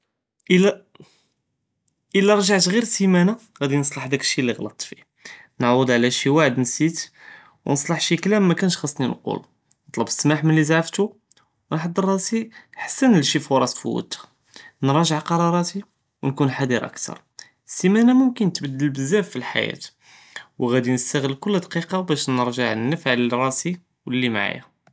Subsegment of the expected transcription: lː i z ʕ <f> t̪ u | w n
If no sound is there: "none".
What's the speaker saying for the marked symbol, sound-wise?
f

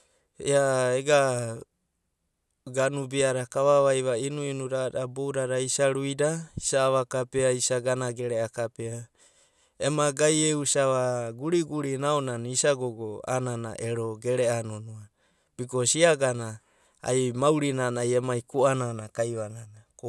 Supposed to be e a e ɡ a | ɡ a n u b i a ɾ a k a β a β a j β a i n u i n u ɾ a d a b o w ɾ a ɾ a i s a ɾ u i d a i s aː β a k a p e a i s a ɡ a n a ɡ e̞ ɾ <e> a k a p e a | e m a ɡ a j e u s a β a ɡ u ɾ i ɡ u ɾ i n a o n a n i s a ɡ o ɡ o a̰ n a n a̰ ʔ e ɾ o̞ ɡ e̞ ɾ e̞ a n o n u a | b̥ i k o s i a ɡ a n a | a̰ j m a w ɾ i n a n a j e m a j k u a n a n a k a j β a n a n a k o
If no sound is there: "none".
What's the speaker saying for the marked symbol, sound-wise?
e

